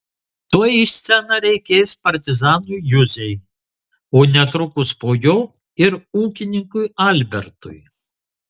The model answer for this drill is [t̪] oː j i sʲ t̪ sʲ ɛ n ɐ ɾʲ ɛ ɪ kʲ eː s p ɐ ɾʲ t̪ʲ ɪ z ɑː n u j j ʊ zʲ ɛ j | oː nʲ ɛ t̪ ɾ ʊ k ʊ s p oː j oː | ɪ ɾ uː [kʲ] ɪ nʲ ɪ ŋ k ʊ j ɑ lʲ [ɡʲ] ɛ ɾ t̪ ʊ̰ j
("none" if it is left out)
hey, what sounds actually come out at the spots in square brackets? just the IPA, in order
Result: t̪, kʲ, bʲ

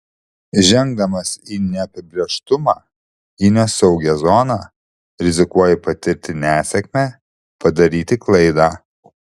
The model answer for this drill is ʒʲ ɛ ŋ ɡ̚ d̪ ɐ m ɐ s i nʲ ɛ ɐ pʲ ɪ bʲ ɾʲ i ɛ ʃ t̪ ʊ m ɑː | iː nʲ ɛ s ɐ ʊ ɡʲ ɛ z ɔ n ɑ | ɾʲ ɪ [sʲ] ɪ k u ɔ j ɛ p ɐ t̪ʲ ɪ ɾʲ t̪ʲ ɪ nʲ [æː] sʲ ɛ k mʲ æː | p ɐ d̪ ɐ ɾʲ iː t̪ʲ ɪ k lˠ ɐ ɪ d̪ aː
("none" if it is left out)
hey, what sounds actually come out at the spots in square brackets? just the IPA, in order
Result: zʲ, æː

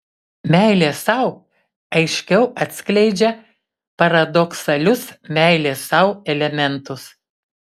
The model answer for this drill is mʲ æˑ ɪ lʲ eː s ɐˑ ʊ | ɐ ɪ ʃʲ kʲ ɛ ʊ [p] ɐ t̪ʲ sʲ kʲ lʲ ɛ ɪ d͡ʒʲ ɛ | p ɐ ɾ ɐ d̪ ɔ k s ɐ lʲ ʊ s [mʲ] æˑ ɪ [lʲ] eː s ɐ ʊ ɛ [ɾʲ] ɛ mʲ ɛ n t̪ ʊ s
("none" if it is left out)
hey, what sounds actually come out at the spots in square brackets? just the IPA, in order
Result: none, mʲ, lʲ, lʲ

